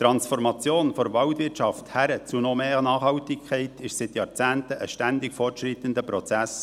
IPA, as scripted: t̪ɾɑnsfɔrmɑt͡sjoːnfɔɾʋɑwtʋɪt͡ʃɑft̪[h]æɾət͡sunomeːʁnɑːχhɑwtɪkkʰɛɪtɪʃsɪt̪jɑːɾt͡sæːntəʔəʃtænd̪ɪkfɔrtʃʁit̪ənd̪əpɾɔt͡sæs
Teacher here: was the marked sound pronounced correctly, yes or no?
yes